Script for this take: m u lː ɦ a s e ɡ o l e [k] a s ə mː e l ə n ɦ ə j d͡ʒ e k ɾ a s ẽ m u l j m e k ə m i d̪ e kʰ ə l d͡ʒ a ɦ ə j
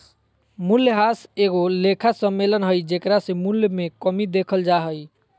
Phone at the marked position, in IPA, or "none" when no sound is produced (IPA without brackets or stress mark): kʰ